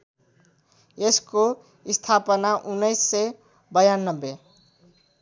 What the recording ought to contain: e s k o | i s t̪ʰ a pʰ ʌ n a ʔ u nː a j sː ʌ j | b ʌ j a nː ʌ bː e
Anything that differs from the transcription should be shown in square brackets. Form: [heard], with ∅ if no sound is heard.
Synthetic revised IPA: e s k o | i s t̪ʰ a [p] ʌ n a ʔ u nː [ʌ] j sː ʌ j | b ʌ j a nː ʌ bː e